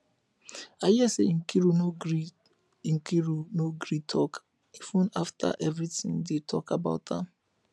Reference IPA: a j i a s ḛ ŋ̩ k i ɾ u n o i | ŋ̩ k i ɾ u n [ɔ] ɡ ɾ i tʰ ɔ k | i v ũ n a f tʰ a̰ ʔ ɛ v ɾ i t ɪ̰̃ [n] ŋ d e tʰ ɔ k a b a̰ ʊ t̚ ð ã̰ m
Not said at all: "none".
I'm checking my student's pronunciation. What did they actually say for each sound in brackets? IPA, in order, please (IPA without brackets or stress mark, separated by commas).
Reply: o, none